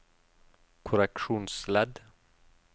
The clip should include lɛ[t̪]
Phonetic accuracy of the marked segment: incorrect: d̪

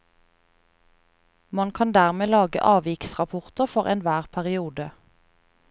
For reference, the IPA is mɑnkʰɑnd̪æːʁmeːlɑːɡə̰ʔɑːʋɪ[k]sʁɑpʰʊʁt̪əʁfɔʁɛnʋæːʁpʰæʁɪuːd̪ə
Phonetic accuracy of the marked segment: correct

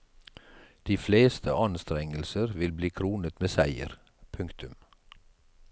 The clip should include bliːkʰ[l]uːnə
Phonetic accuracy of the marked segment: incorrect: ɾ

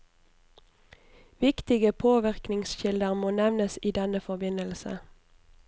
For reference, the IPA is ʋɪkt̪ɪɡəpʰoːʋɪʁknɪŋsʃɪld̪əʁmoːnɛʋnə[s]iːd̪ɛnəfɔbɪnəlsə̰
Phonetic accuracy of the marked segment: correct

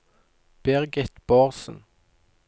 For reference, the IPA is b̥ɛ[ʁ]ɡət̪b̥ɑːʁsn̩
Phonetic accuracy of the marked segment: correct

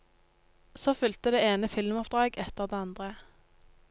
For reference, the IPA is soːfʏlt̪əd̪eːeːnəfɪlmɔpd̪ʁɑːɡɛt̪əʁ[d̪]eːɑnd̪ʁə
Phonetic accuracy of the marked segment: correct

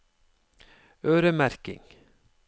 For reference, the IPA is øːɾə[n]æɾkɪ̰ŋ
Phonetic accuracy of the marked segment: incorrect: m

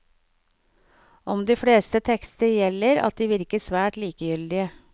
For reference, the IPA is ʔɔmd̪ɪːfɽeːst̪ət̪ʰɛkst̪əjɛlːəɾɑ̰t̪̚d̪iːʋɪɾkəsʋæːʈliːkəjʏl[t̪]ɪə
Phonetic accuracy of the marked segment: incorrect: d̪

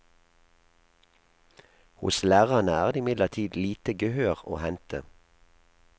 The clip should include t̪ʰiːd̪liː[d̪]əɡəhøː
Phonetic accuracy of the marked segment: incorrect: t̪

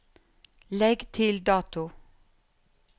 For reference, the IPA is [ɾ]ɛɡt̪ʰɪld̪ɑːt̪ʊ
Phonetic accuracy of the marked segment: incorrect: l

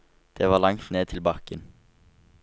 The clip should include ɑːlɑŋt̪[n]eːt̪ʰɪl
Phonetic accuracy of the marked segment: correct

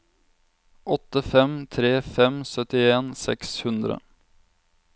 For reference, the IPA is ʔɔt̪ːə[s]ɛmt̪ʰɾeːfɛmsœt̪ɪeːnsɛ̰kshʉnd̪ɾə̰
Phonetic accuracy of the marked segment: incorrect: f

